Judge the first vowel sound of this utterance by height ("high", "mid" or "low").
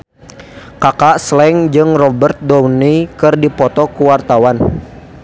low